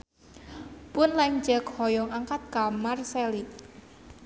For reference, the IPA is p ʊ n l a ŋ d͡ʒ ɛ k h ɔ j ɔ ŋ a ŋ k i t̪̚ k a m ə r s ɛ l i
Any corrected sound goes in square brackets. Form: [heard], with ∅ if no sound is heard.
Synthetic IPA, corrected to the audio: p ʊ n l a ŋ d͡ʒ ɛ k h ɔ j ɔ ŋ a ŋ k [a] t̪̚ k a m [a] r s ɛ l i